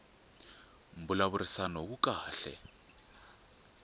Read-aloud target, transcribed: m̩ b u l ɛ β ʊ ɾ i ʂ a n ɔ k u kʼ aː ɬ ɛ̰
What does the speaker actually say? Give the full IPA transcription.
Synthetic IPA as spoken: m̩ b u l a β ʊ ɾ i s a n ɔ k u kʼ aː ɬ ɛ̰